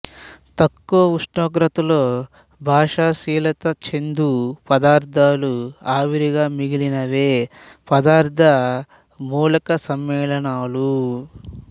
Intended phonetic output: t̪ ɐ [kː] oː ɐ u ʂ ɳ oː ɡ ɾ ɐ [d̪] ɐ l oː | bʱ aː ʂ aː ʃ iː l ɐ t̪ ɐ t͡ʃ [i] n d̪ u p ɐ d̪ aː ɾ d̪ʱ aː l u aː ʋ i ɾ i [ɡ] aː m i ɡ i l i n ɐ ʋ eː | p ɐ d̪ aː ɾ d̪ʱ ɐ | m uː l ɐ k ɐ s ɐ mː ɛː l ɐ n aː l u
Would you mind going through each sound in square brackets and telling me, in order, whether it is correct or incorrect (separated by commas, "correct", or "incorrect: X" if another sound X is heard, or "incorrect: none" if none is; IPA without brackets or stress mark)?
correct, incorrect: t̪, incorrect: e, correct